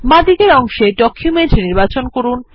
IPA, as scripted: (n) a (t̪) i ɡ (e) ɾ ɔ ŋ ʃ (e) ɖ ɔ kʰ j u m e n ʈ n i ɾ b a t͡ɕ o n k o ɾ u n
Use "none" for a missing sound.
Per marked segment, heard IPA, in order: m, d̪, e, e

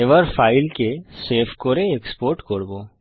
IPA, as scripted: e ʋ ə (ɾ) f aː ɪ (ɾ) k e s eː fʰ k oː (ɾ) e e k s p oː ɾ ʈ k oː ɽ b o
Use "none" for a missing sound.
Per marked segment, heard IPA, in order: ɾ, l, ɾ

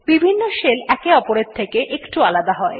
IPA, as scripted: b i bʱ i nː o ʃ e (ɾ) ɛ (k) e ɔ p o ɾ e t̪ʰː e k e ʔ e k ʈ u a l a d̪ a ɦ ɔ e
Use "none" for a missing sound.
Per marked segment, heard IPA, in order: l, k

